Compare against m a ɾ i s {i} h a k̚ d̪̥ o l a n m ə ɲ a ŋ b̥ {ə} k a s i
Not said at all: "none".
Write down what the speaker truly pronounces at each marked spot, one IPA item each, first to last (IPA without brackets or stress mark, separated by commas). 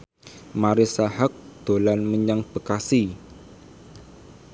a, ə